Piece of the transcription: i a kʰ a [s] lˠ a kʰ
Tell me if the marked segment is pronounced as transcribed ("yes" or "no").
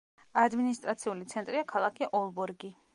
no